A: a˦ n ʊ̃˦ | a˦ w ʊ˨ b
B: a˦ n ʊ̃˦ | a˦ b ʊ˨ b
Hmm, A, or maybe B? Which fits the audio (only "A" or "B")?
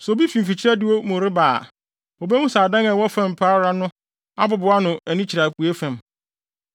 B